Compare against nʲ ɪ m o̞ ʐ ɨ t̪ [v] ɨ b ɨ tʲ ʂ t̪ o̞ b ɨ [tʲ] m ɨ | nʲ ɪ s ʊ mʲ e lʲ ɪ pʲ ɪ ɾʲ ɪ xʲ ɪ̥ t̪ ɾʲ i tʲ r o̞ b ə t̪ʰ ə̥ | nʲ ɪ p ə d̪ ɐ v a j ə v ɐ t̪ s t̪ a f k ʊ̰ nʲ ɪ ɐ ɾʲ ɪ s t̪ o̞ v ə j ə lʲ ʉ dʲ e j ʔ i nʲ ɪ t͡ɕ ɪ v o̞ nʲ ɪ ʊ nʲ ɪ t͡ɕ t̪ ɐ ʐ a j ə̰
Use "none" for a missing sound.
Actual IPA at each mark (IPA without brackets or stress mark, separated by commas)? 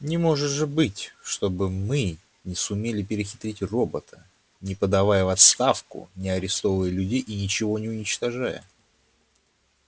ʐ, none